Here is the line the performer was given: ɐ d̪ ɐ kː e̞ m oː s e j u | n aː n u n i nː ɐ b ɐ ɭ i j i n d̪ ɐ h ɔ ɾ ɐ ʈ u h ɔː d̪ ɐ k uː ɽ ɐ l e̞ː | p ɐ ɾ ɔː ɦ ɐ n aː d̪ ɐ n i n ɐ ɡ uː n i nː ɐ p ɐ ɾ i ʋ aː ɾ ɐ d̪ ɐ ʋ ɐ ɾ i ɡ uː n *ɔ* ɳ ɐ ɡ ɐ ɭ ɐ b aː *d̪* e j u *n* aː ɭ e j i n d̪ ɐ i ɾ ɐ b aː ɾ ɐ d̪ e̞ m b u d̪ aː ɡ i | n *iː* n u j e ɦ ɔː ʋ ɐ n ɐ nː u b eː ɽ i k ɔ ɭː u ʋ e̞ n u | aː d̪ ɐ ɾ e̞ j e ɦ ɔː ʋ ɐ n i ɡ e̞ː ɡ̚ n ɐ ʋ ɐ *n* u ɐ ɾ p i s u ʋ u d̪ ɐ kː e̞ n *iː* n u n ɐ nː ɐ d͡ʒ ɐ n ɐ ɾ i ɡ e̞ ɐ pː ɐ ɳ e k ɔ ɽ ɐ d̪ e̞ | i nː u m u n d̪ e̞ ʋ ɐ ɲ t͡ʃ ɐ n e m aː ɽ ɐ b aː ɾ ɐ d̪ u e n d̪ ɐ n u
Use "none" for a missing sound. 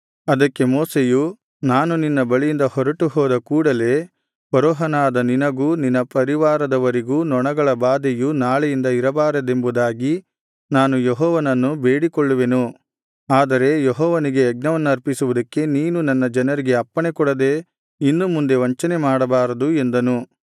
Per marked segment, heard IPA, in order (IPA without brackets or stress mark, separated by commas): ɔ, d̪, n, aː, nː, iː